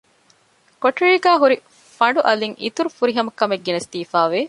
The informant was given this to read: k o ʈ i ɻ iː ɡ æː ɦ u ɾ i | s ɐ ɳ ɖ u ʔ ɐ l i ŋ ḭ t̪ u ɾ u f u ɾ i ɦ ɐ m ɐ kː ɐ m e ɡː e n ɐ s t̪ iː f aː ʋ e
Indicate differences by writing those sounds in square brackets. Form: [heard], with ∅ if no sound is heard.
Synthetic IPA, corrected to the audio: k o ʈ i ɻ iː ɡ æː ɦ u ɾ i | [f] ɐ ɳ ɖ u ʔ ɐ l i ŋ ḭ t̪ u ɾ u f u ɾ i ɦ ɐ m ɐ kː ɐ m e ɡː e n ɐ s t̪ iː f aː ʋ e